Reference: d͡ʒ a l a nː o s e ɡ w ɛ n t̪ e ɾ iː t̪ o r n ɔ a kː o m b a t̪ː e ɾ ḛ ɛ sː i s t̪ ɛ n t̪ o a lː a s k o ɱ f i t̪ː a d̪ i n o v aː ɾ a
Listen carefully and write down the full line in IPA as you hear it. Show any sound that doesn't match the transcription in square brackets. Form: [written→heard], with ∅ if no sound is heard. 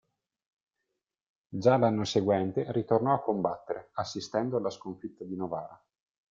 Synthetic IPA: d͡ʒ a l a nː o s e ɡ w ɛ n t̪ e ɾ [iː→i] t̪ o r n ɔ a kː o m b a t̪ː e ɾ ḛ [ɛ→a] sː i s t̪ ɛ n [t̪→d̪] o a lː a s k o ɱ f i t̪ː a d̪ i n o v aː ɾ a